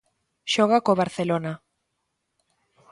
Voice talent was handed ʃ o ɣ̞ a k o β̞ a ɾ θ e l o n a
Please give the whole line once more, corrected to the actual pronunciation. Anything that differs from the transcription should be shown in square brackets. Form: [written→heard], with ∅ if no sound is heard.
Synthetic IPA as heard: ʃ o ɣ̞ a k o β̞ a ɾ θ e l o n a

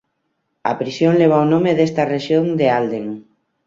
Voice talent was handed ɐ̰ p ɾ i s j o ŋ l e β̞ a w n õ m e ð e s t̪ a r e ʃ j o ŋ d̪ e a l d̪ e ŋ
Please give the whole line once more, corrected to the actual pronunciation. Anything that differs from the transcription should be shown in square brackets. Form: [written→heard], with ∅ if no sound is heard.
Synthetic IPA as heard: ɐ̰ p ɾ i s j o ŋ l e β̞ a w n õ m e ð e s t̪ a r e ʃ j o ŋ d̪ e a l d̪ e ŋ

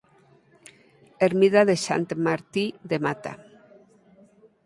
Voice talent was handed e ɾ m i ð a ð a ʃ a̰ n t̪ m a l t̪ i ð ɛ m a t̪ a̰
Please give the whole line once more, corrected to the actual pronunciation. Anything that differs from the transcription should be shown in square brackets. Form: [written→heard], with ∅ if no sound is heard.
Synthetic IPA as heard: e ɾ m i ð a ð [a→e] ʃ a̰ n t̪ m a [l→ɾ] t̪ i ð [ɛ→e] m a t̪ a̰

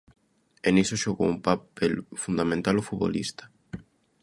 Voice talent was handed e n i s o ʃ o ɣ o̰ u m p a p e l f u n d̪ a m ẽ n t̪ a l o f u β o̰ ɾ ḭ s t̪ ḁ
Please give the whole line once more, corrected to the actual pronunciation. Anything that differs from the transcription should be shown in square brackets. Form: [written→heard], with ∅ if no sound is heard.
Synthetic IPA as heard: e n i s o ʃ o ɣ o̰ u m p a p e l f u n d̪ a m ẽ n t̪ a l o f u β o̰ [ɾ→l] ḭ s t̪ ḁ

